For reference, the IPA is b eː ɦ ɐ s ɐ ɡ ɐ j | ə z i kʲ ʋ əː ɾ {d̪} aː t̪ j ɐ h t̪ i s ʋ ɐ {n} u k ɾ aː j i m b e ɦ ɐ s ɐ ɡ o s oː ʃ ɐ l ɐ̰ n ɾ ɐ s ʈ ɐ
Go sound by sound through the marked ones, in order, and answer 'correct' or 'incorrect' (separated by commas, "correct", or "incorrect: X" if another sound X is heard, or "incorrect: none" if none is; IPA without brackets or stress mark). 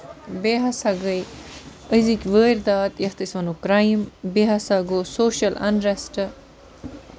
correct, correct